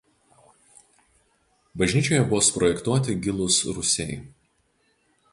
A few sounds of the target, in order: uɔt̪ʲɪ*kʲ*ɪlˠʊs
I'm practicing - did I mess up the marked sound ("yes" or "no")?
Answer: yes